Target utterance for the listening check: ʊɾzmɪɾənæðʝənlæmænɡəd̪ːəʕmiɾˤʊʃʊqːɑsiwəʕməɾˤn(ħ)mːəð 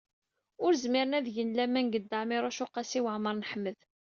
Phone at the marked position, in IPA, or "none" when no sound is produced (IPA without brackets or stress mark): ħ